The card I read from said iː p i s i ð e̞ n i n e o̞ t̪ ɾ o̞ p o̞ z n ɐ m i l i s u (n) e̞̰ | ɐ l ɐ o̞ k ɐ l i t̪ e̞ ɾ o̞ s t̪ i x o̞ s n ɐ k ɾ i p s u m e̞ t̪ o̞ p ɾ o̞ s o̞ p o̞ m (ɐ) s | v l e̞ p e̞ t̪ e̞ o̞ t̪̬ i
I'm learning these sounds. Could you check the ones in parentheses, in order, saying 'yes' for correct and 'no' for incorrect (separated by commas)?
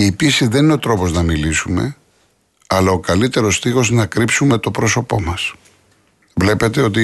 no, yes